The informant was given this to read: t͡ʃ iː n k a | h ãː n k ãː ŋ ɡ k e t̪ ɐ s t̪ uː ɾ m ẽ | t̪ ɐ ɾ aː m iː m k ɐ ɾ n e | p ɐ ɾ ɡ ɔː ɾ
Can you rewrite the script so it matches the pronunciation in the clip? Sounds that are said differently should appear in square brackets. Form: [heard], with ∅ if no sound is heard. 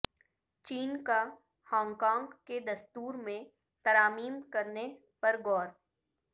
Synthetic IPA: t͡ʃ iː n k a | h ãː [ŋ] k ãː ŋ ɡ k e [d̪] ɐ s t̪ uː ɾ m ẽ | t̪ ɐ ɾ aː m iː m k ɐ ɾ n e | p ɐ ɾ ɡ ɔː ɾ